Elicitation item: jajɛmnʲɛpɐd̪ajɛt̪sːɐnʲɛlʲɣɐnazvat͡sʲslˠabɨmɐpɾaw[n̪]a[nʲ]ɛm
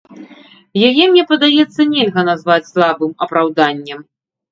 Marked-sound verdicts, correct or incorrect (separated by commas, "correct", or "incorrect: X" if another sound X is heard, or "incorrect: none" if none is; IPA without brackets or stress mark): incorrect: d̪, incorrect: nʲː